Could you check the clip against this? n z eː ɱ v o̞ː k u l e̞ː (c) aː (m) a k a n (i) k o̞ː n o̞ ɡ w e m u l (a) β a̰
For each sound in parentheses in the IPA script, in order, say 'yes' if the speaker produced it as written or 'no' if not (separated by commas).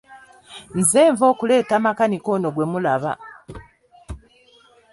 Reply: no, yes, yes, yes